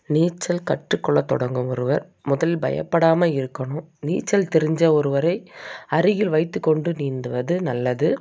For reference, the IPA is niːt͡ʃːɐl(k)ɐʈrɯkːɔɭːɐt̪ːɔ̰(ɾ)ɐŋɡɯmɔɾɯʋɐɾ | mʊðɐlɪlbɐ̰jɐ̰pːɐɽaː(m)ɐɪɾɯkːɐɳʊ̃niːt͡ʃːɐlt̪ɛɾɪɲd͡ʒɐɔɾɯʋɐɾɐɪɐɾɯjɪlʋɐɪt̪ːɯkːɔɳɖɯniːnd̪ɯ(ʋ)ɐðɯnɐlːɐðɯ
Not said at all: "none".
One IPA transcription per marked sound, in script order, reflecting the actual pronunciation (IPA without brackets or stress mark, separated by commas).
k, ɽ, m, ʋ